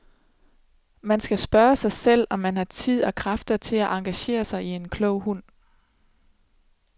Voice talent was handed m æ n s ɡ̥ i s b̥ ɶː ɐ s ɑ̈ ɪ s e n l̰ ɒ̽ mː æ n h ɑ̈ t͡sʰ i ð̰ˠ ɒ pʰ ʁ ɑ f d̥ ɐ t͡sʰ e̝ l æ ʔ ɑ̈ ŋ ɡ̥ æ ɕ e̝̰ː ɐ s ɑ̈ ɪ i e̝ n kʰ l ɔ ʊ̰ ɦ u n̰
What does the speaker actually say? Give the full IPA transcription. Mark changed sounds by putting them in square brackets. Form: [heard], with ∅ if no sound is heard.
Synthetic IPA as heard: m æ n s ɡ̥ [æ] s b̥ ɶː ɐ s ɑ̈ ɪ s e [∅] l̰ ɒ̽ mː æ n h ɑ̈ t͡sʰ i ð̰ˠ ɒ [kʰ] ʁ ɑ f d̥ ɐ t͡sʰ e̝ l æ ʔ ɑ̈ ŋ ɡ̥ æ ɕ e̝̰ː ɐ s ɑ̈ ɪ i e̝ n kʰ l ɔ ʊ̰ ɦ u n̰